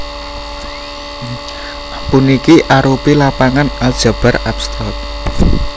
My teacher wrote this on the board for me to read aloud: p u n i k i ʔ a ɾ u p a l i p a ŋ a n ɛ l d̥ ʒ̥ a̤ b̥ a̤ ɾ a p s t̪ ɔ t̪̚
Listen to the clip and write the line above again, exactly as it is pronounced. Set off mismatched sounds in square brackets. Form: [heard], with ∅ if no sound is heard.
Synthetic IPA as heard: p u n i k i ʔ a ɾ u p [i] l [a] p a ŋ a n [a] l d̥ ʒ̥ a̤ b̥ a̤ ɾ a p s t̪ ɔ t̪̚